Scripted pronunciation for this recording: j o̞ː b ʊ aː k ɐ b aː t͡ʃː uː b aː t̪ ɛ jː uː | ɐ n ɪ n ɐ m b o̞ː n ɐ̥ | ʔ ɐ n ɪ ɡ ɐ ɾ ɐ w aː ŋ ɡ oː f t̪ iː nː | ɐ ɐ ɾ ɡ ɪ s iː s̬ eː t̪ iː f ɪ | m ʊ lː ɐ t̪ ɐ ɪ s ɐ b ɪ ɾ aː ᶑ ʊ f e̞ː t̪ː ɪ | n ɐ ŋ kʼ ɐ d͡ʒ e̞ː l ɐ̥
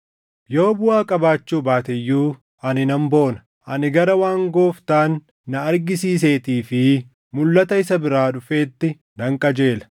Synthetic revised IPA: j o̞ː b ʊ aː kʼ ɐ b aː t͡ʃː uː b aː t̪ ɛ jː uː | ɐ n ɪ n ɐ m b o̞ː n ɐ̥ | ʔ ɐ n ɪ ɡ ɐ ɾ ɐ w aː ŋ ɡ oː f t̪ aː nː | ɐ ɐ ɾ ɡ ɪ s iː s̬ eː t̪ iː f ɪ | m ʊ lː ɐ t̪ ɐ ɪ s ɐ b ɪ ɾ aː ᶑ ʊ f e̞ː t̪ː ɪ | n ɐ ŋ kʼ ɐ d͡ʒ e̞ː l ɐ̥